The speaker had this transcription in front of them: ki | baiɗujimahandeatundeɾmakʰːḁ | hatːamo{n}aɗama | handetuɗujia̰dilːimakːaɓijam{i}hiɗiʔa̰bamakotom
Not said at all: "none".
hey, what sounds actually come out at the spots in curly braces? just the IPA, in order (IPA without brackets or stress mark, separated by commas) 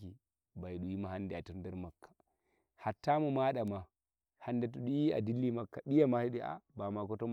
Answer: m, a